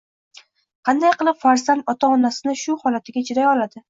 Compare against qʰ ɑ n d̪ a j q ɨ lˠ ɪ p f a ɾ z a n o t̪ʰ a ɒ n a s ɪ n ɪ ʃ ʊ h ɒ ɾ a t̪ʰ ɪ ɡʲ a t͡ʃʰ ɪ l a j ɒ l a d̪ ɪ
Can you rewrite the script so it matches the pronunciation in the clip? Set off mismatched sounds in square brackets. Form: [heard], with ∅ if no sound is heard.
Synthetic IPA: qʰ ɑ n d̪ a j q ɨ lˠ ɪ p f a ɾ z a n [ɒ] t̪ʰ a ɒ n a s ɪ n ɪ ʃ ʊ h ɒ [l] a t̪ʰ ɪ ɡʲ a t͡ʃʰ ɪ [ɾ] a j ɒ l a d̪ ɪ